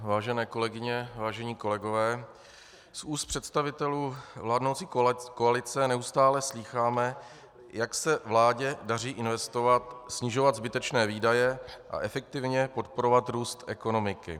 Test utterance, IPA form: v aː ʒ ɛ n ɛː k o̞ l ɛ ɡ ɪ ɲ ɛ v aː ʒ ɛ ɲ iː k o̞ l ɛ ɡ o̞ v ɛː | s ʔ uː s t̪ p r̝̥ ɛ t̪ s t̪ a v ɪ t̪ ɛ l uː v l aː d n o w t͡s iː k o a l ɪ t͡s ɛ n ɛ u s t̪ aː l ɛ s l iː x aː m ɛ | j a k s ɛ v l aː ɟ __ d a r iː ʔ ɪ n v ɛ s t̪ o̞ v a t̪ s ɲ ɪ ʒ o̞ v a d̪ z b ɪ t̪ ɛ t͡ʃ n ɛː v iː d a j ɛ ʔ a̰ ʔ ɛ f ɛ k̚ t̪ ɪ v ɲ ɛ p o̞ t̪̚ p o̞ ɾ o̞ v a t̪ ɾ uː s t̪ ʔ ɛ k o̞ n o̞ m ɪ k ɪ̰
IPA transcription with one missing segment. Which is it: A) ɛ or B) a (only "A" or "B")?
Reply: A